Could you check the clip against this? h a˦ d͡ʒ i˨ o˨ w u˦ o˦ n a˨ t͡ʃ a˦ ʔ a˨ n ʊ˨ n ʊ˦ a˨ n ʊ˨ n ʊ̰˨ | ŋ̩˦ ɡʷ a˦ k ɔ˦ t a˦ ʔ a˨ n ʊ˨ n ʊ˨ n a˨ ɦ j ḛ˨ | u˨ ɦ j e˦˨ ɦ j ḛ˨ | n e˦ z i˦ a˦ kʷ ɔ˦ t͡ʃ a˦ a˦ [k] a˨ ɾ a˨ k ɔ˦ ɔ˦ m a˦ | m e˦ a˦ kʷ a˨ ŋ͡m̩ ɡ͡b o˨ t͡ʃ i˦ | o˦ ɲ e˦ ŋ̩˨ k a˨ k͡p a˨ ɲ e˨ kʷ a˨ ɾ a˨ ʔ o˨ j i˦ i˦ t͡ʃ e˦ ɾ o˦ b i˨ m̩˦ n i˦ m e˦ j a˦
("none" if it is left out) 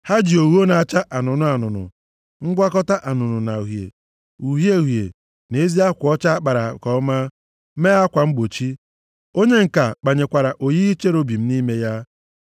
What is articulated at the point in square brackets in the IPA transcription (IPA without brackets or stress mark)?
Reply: k͡p